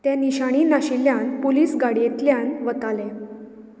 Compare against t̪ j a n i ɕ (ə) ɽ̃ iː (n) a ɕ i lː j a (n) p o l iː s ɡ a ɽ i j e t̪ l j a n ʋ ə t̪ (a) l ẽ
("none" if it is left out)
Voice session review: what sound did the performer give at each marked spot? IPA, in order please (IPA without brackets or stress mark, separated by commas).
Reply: a, n, n, a